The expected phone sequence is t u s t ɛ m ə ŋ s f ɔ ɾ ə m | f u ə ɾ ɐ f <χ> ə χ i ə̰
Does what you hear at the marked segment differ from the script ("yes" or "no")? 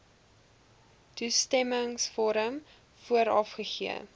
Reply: no